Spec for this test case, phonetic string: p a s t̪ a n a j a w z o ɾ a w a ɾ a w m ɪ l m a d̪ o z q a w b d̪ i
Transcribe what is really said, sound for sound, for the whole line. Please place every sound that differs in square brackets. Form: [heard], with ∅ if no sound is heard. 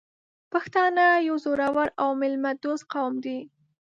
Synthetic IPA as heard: p a [x] t̪ [ɑ] n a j a w z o ɾ a w a ɾ a w m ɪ l m a d̪ o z q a w [m] d̪ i